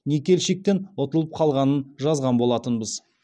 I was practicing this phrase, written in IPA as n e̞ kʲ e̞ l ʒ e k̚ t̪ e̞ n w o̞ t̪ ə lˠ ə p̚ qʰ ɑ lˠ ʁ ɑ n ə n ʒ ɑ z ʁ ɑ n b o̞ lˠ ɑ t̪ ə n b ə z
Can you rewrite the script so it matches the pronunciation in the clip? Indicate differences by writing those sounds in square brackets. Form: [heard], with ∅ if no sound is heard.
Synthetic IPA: n e̞ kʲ e̞ l [ʃ] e k̚ t̪ e̞ n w o̞ t̪ ə lˠ ə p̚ qʰ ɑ lˠ ʁ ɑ n ə n ʒ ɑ z ʁ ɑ n b o̞ lˠ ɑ t̪ ə n b ə z